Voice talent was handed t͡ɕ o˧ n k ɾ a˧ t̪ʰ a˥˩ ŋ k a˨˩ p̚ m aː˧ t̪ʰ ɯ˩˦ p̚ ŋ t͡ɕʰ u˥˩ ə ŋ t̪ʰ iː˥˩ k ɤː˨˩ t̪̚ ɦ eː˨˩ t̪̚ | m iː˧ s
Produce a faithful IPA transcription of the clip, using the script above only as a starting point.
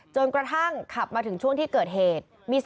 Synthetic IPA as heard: t͡ɕ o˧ n k ɾ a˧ t̪ʰ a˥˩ ŋ kʰ a˨˩ p̚ m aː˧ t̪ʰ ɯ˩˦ ŋ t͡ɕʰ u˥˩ ə ŋ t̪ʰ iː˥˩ k ɤː˨˩ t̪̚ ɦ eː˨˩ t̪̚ | m iː˧ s